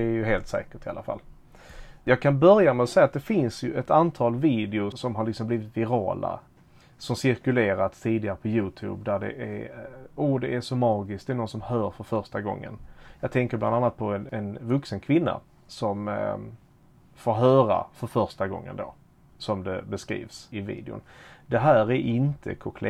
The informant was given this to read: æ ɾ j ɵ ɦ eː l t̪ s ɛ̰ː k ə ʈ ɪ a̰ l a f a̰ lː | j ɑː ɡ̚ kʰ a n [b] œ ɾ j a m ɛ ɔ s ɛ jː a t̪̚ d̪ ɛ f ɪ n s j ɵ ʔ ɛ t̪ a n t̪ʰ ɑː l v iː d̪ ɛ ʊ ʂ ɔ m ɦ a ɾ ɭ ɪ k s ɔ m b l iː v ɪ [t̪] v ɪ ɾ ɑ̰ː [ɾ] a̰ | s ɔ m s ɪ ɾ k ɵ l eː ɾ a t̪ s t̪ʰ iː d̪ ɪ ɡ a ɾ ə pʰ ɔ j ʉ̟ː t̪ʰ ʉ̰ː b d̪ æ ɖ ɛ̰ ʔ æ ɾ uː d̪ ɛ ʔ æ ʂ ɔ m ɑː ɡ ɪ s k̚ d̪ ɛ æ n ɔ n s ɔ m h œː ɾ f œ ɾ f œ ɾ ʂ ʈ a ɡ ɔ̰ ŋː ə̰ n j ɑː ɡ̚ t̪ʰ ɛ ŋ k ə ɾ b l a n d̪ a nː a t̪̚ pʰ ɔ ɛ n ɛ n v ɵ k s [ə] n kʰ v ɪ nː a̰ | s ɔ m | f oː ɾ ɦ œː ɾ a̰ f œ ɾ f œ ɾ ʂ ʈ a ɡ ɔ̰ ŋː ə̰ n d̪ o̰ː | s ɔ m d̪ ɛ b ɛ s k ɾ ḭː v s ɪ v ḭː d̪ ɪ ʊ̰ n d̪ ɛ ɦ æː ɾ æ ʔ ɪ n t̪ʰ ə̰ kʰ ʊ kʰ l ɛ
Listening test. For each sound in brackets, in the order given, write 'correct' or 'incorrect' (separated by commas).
correct, correct, incorrect, correct